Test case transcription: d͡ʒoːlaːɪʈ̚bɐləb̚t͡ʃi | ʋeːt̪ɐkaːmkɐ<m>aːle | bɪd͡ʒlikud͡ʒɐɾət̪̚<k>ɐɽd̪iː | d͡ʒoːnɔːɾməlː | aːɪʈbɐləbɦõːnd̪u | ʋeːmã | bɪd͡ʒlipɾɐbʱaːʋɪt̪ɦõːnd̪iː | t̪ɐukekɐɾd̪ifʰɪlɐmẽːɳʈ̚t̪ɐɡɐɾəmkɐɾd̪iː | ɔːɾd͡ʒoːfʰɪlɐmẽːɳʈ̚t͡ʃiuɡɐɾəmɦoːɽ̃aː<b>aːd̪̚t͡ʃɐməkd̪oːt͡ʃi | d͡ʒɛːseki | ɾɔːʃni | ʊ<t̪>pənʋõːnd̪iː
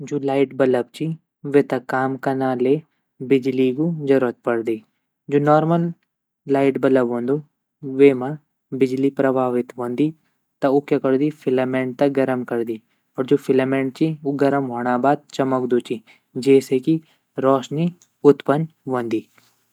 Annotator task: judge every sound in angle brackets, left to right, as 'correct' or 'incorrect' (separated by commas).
incorrect, incorrect, correct, correct